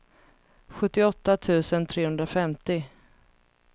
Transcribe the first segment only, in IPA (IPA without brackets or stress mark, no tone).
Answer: ɧ